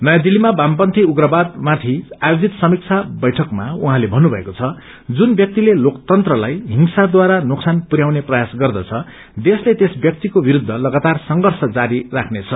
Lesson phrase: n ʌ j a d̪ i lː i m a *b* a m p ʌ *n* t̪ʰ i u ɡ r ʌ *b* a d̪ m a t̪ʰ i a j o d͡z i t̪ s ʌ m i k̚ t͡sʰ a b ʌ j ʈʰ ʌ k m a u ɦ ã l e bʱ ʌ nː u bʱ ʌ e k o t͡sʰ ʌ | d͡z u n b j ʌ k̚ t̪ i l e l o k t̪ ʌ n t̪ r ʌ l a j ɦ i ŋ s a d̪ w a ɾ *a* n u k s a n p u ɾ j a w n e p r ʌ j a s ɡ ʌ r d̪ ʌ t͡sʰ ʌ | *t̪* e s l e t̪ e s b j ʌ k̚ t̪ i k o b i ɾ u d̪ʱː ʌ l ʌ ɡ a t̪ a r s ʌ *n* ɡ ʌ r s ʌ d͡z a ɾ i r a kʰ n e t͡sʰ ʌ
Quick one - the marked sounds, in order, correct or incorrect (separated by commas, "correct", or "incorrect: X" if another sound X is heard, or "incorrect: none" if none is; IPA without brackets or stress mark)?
correct, correct, correct, correct, incorrect: d̪, incorrect: ŋ